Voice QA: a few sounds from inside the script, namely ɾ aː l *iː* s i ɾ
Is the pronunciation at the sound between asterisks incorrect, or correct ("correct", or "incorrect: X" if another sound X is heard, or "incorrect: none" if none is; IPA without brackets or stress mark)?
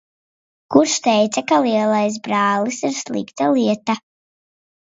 incorrect: i